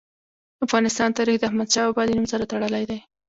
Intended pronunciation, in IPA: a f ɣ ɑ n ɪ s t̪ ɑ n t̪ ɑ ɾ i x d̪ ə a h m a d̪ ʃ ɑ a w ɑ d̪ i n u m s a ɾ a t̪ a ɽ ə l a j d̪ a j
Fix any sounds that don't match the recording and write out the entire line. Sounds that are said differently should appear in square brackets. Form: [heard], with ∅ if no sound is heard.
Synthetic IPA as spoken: a f ɣ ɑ n ɪ s t̪ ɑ n t̪ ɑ ɾ i x d̪ ə a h m a d̪ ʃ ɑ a [b] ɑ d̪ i n u m s a ɾ a t̪ a ɽ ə l a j d̪ a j